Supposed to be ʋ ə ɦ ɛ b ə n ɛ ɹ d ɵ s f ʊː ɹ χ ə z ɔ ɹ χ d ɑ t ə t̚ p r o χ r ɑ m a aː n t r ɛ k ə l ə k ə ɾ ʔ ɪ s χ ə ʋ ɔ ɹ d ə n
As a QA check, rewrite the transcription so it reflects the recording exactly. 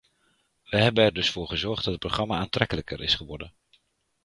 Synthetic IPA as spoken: ʋ ə ɦ ɛ b ə n ɛ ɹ d ɵ s f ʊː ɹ χ ə z ɔ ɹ χ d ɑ t ə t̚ p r o χ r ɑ m a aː n t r ɛ k ə l ə k ə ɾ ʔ ɪ s χ ə ʋ ɔ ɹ d ə n